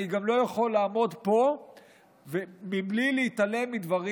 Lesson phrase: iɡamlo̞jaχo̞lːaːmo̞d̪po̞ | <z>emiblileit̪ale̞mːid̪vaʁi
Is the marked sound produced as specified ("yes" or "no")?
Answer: no